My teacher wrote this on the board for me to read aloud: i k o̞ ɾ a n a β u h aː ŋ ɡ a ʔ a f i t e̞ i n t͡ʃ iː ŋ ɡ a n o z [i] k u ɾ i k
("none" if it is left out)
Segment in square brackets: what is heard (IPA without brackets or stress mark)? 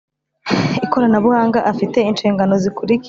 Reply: i